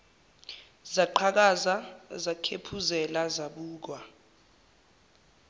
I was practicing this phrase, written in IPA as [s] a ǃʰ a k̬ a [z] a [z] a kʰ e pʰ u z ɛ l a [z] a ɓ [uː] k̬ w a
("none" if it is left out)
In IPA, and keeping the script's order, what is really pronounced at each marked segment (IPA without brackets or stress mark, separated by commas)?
z, z, z, z, uː